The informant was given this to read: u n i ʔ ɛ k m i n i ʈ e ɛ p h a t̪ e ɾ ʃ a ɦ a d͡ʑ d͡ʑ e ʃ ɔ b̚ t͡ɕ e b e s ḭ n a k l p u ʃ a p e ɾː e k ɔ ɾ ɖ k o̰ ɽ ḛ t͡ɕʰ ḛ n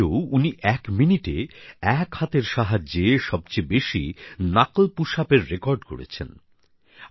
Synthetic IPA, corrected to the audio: u n i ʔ ɛ k m i n i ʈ e ɛ k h a t̪ e ɾ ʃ a ɦ a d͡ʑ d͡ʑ e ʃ ɔ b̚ t͡ɕ e b e ʃ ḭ n a k l p u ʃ a p e ɾː e k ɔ ɾ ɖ k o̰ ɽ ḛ t͡ɕʰ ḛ n